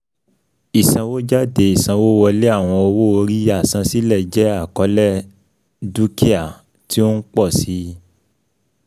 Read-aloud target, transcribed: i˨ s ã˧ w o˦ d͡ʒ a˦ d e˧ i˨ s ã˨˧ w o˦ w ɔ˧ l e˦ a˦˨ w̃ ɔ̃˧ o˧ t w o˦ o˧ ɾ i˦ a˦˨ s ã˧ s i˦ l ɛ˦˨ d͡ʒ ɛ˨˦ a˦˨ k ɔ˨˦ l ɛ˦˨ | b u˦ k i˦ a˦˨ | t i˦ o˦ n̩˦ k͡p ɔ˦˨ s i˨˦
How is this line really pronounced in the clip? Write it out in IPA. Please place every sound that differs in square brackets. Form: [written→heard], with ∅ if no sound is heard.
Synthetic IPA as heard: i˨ s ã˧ w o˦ d͡ʒ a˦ d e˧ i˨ s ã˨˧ w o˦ w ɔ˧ l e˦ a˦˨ w̃ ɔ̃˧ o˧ [t→∅] w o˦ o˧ ɾ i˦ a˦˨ s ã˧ s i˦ l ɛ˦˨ d͡ʒ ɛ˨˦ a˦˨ k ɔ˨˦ l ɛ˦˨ | [b→d] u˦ k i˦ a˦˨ | t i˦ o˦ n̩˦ k͡p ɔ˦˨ s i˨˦